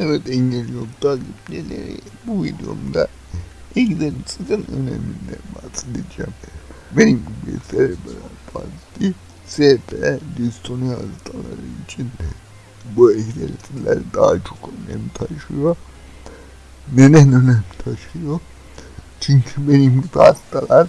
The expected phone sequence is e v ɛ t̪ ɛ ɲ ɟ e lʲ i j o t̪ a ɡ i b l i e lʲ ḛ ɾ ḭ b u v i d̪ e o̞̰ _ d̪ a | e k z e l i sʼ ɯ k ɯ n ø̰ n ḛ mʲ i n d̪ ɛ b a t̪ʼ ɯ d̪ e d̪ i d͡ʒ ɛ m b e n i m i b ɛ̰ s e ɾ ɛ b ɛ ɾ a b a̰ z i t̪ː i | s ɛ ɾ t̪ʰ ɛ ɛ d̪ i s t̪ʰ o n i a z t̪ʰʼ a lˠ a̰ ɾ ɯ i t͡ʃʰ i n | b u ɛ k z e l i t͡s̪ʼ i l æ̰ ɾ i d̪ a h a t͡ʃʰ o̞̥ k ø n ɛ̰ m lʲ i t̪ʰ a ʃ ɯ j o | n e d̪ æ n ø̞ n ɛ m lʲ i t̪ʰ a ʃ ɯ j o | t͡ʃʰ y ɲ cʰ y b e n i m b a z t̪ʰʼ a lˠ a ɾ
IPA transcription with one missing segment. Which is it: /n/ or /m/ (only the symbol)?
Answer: m